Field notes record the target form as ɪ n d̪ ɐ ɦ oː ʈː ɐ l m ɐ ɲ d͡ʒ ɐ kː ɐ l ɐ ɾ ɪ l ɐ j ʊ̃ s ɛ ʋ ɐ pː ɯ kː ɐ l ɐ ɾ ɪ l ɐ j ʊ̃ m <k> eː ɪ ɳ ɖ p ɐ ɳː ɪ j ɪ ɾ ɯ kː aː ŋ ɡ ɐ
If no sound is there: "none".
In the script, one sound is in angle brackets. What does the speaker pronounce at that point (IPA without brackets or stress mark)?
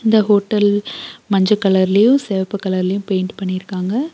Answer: p